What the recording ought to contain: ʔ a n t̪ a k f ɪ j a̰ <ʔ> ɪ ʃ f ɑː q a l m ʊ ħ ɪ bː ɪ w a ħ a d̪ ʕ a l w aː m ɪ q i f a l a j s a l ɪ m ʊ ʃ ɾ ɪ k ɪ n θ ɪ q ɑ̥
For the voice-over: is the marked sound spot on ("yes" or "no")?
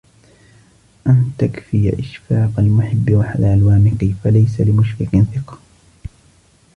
yes